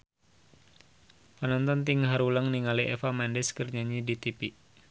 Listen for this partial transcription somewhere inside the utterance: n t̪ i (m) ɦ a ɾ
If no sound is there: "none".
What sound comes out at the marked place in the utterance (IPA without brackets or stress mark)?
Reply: ŋ